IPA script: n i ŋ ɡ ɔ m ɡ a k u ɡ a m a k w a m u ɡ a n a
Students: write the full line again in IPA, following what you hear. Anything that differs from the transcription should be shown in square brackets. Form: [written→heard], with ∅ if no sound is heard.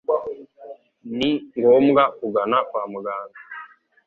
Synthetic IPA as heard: n i ŋ ɡ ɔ m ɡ a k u ɡ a [m→n] a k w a m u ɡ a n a